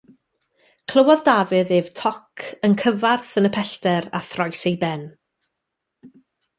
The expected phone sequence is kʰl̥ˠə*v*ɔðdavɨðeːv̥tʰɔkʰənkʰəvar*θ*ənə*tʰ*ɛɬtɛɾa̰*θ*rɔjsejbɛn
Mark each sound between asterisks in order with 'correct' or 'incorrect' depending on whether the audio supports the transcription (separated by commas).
incorrect, correct, incorrect, correct